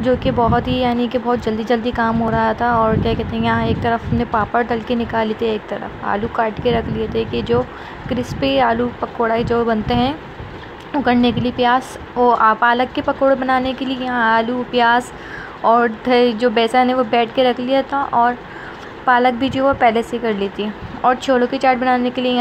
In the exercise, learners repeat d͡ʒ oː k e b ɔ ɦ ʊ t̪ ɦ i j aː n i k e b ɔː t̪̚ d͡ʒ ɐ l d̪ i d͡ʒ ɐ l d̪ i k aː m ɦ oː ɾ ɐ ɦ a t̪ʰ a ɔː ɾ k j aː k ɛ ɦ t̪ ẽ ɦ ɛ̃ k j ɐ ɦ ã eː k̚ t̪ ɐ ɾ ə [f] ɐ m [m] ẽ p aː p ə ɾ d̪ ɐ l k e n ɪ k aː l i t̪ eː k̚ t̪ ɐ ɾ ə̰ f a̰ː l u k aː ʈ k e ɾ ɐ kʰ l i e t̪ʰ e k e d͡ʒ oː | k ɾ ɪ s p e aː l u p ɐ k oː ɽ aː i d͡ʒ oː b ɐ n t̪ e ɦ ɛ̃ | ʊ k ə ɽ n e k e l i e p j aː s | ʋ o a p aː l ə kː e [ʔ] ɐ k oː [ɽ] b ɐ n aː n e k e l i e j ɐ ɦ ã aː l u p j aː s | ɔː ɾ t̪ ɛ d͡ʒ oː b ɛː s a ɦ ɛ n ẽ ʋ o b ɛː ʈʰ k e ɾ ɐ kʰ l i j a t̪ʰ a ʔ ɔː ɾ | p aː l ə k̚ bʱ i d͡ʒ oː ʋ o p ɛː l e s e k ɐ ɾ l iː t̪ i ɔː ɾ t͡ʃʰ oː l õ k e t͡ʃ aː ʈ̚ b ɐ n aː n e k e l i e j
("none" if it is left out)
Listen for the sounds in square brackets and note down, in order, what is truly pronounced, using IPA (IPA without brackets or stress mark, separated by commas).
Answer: f, n, p, ɽ